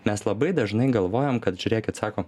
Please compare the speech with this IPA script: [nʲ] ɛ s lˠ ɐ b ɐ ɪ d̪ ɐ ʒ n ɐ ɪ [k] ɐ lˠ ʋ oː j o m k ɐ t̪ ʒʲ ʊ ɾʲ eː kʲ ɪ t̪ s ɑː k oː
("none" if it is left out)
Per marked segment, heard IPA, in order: mʲ, ɡ

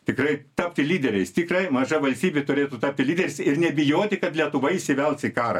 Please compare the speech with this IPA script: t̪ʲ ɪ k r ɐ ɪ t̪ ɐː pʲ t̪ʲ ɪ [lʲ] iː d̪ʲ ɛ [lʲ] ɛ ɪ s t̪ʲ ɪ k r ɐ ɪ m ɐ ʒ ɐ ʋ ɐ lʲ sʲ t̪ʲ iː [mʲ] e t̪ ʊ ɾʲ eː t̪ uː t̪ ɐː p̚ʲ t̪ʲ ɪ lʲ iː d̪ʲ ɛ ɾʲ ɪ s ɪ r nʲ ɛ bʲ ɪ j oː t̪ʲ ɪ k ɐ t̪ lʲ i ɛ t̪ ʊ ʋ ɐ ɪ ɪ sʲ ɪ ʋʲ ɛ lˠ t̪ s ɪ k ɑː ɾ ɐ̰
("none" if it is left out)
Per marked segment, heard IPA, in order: lʲ, ɾʲ, bʲ

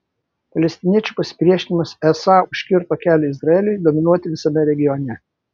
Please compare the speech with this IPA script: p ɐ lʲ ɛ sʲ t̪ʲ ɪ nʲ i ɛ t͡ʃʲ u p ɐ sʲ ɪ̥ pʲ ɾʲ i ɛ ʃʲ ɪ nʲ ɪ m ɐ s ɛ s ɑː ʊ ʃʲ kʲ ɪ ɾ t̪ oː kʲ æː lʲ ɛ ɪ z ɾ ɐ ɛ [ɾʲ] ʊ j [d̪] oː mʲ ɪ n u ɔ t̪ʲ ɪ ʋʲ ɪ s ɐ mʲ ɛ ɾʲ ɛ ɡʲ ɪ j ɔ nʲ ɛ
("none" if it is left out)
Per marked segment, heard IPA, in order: lʲ, d̪

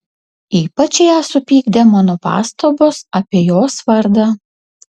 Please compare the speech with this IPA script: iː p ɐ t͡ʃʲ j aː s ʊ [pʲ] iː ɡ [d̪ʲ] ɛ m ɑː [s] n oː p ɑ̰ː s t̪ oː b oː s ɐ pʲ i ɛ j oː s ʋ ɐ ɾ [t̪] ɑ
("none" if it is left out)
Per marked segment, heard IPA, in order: pʲ, d̪ʲ, none, d̪

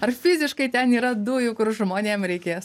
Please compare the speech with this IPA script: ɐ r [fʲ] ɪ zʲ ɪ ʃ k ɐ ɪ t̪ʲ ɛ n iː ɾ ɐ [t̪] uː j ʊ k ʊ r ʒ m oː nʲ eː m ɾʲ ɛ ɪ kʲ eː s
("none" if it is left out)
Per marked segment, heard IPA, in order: fʲ, d̪

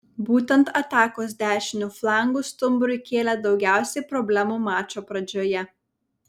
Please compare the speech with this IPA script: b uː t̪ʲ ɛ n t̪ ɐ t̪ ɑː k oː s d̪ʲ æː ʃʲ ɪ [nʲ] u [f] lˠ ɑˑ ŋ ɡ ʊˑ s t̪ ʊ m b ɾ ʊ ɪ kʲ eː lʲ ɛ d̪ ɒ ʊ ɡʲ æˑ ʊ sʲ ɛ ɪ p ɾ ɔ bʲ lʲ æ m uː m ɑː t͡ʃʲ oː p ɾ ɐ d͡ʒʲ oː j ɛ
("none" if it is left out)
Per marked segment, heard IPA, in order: nʲ, f

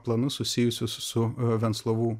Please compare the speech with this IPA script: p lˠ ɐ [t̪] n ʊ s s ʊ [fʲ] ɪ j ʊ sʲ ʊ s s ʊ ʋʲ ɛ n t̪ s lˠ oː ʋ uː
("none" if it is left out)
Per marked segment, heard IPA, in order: none, sʲ

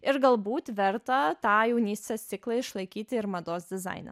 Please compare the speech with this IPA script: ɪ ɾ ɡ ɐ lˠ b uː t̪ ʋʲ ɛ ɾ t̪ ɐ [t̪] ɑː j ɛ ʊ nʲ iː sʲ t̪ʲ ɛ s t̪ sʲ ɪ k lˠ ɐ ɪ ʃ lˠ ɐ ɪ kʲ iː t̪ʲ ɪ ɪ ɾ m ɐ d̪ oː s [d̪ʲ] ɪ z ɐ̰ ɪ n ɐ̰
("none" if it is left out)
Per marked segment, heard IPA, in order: t̪, d̪ʲ

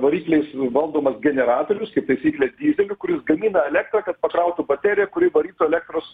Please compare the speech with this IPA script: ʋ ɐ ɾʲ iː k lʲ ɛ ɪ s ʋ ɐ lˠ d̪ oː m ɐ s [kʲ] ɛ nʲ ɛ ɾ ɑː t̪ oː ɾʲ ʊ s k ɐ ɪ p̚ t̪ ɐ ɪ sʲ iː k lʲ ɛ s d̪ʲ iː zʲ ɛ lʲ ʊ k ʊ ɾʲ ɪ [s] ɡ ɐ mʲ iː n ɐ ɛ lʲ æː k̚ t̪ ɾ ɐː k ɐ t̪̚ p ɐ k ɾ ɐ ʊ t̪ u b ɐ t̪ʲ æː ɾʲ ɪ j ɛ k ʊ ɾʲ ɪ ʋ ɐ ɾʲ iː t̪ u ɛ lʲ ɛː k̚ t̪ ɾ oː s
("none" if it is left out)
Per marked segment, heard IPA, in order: ɡʲ, s

